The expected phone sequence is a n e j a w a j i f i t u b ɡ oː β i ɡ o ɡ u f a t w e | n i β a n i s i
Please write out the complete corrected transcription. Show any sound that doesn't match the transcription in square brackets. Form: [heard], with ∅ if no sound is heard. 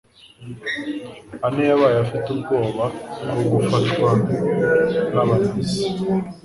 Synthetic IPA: a n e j a [β] a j [a] f i t u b ɡ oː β [a] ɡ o ɡ u f a t w [a] | n [a] β a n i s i